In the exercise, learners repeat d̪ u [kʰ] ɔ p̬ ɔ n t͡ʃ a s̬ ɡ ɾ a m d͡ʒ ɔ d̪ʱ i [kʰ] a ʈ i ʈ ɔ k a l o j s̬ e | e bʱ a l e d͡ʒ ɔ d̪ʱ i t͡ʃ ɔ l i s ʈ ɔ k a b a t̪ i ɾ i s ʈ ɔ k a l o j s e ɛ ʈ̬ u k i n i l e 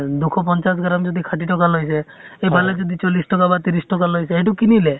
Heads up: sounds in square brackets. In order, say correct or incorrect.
correct, correct

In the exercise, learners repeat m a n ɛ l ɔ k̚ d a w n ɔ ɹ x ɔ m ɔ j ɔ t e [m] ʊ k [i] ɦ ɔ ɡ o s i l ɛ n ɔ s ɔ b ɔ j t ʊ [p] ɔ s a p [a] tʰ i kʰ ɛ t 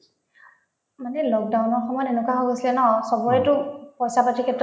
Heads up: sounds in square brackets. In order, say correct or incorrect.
incorrect: n, incorrect: a, correct, correct

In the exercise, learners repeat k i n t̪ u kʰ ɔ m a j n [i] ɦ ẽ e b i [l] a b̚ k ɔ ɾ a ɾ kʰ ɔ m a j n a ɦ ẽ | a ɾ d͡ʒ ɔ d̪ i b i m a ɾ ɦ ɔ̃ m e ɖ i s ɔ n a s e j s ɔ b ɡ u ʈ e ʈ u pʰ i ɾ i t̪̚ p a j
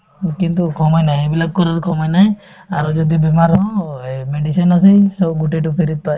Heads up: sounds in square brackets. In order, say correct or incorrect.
incorrect: a, correct

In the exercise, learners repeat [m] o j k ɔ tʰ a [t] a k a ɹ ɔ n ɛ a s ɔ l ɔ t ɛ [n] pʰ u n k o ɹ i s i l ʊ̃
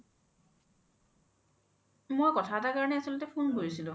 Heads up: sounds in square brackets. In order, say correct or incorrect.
correct, correct, incorrect: none

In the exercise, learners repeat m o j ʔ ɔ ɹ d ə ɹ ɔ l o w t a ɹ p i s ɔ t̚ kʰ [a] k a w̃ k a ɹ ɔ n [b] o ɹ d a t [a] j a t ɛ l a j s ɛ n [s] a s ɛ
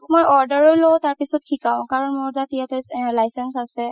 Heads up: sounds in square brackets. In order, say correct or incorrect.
incorrect: i, incorrect: m, incorrect: i, correct

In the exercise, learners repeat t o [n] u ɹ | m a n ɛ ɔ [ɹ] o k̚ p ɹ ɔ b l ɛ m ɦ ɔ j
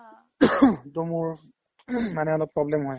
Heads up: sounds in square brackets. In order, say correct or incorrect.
incorrect: m, incorrect: l

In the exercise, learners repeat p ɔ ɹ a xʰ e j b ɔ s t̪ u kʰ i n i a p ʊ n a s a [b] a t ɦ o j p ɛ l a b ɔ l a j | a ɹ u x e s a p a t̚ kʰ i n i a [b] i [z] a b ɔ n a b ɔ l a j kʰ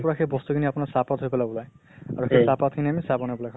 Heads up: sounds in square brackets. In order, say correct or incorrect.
incorrect: p, incorrect: m, incorrect: s

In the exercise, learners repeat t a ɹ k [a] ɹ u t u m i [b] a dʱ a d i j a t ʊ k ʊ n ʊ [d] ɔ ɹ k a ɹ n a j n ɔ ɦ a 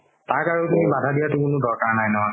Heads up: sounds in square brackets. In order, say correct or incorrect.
correct, correct, correct

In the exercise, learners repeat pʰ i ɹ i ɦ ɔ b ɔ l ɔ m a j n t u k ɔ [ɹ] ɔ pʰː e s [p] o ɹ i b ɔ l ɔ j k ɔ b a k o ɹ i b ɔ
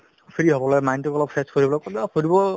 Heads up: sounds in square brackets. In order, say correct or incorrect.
incorrect: l, incorrect: k

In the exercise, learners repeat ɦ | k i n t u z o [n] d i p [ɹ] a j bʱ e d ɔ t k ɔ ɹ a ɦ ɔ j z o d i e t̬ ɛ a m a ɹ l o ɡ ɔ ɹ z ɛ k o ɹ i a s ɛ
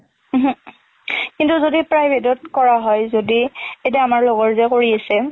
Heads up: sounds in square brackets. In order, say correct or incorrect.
incorrect: none, correct

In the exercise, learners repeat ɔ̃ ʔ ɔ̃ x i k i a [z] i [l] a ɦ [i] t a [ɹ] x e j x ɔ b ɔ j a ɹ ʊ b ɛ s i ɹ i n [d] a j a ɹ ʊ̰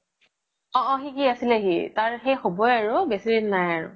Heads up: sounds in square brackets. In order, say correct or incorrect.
incorrect: s, correct, correct, correct, incorrect: n

